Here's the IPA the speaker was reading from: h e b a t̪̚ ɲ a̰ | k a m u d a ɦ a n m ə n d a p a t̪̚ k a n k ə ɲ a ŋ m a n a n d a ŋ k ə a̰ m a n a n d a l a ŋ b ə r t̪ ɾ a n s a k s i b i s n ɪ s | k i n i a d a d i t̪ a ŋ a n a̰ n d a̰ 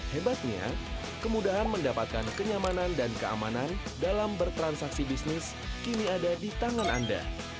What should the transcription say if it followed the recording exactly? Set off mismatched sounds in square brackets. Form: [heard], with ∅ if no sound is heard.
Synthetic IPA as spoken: h e b a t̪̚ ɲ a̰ | k [ə] m u d a ɦ a n m ə n d a p a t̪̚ k a n k ə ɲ a [∅] m a n a n d a [n] k ə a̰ m a n a n d a l a [m] b ə r t̪ ɾ a n s a k s i b i s n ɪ s | k i n i a d a d i t̪ a ŋ a n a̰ n d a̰